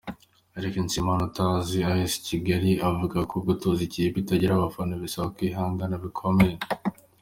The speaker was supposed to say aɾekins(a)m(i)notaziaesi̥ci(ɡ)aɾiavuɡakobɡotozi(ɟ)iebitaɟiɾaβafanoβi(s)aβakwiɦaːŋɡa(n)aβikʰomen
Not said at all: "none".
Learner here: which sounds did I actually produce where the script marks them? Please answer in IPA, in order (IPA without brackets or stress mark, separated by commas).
i, a, ɡ, c, s, n